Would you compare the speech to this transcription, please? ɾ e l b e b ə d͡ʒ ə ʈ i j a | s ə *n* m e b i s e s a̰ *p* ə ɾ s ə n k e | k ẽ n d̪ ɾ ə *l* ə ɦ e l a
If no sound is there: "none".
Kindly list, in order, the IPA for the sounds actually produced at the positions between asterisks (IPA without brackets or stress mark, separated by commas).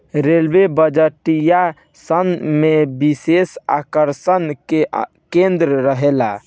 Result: n, k, ɾ